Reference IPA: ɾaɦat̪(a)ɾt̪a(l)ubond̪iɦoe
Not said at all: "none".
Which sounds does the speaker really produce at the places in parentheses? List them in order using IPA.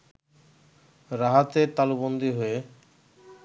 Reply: e, l

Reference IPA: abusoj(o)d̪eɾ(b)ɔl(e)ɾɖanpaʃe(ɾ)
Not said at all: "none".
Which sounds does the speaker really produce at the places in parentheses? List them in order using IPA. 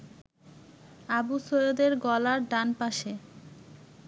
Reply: o, ɡ, a, none

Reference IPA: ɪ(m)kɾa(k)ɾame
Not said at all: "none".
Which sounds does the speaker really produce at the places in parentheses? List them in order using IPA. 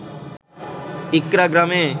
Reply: none, ɡ

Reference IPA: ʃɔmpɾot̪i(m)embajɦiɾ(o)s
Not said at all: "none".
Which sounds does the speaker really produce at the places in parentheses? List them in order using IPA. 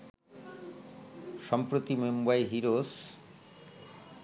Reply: m, o

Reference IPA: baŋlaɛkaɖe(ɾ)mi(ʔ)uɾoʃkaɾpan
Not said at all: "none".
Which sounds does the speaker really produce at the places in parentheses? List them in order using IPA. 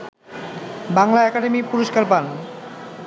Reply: none, p

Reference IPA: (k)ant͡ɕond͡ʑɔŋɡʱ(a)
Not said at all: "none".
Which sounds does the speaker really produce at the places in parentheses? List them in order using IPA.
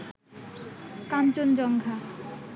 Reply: k, a

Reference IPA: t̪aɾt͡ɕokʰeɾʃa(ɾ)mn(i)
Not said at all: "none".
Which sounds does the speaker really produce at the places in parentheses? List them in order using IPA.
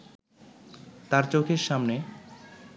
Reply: none, e

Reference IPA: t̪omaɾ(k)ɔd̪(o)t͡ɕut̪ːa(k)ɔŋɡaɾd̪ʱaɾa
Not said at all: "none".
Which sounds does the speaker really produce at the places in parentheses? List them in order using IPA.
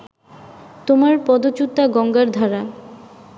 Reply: p, o, ɡ

